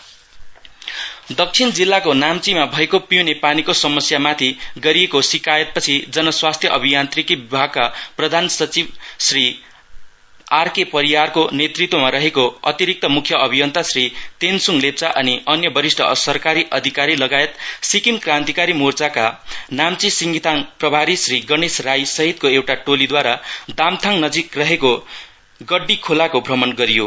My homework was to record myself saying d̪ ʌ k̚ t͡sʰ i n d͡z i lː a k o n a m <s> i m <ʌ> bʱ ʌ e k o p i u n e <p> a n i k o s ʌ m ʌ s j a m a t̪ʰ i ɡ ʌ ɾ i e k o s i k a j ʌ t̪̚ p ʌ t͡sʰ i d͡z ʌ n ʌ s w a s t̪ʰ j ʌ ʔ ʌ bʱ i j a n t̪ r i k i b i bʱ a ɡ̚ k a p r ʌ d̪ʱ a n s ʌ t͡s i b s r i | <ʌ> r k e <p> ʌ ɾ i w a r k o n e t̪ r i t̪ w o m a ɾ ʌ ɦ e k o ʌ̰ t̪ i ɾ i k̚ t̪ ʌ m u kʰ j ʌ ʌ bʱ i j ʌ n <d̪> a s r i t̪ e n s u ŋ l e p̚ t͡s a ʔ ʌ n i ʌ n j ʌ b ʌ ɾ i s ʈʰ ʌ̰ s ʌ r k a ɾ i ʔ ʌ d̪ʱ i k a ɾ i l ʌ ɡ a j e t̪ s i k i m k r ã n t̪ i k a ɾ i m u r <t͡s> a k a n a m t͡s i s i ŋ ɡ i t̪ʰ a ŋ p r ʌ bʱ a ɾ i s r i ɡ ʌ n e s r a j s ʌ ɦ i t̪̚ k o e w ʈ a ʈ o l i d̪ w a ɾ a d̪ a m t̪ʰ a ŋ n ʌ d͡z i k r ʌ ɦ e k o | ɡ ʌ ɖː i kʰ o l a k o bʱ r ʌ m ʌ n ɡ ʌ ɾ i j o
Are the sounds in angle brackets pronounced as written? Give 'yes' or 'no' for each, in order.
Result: no, no, yes, no, yes, no, yes

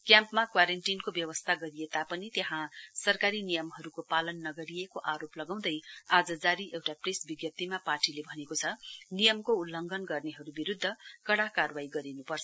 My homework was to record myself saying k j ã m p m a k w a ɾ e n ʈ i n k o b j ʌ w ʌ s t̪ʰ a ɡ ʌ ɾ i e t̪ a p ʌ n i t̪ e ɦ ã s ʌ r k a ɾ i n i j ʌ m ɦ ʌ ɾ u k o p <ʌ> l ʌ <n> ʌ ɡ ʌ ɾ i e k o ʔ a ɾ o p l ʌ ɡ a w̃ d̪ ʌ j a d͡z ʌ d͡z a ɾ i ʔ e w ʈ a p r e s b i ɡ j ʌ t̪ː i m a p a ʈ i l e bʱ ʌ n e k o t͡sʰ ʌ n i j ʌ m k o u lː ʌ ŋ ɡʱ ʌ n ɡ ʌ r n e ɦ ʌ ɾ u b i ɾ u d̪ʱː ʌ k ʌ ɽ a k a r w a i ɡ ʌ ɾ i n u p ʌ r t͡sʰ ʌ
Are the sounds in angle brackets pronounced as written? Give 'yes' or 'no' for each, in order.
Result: no, no

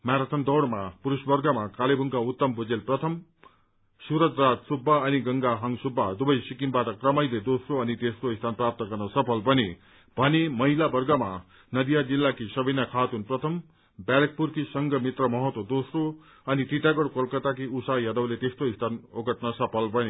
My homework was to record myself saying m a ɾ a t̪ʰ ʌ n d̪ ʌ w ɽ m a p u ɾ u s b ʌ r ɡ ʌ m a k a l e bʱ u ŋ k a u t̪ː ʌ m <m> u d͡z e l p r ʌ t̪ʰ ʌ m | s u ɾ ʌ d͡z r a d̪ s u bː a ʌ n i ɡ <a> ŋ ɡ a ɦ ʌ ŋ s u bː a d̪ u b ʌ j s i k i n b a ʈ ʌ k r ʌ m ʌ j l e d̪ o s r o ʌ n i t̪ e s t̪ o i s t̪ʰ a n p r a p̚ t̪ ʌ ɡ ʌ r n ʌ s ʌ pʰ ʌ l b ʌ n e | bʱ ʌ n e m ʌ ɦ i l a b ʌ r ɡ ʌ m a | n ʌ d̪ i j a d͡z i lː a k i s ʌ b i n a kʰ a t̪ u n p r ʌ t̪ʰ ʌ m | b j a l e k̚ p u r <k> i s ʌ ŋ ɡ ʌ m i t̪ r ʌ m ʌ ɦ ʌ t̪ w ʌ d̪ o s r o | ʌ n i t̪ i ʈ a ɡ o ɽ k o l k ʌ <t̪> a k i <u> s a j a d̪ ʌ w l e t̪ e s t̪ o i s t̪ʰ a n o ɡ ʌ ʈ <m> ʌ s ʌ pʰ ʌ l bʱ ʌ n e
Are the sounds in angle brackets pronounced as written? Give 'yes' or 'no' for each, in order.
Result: no, no, yes, yes, yes, no

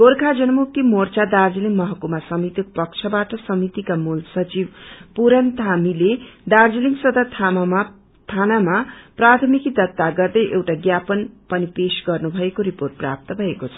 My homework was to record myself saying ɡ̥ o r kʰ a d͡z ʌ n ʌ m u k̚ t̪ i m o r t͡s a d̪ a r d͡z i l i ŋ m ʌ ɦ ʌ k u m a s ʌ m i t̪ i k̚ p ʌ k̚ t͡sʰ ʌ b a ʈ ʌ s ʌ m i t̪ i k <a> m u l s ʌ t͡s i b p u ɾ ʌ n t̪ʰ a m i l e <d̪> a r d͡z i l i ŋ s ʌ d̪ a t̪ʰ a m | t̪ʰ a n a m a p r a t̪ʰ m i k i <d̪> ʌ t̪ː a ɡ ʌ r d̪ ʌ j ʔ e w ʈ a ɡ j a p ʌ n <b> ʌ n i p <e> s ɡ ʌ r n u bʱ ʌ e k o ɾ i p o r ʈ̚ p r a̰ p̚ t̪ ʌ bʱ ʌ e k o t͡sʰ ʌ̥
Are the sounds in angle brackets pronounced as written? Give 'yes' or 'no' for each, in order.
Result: yes, yes, yes, no, yes

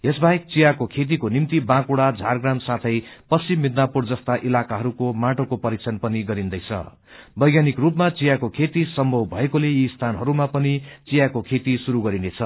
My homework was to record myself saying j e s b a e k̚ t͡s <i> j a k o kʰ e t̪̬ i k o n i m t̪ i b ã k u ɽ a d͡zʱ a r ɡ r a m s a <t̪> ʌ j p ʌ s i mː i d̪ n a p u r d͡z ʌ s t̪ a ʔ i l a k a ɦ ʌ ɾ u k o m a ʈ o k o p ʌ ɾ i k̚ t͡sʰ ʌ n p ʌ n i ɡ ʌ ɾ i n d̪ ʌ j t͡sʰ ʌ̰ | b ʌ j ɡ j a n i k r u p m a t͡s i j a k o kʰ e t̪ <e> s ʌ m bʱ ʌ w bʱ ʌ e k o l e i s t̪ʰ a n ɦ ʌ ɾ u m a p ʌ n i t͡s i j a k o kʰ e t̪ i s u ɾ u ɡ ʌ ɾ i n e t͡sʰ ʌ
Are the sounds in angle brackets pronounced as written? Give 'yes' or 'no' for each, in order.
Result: yes, no, no

